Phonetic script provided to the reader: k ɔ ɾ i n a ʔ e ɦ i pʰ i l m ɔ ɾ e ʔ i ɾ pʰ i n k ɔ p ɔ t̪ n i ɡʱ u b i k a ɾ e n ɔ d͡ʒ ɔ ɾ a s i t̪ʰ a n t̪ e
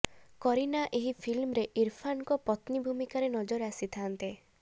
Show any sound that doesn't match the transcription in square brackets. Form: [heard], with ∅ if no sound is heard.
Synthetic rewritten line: k ɔ ɾ i n a ʔ e ɦ i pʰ i l m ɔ ɾ e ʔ i ɾ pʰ [a] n k ɔ p ɔ t̪ n i [bʱ] u [m] i k a ɾ e n ɔ d͡ʒ ɔ ɾ a s i t̪ʰ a n t̪ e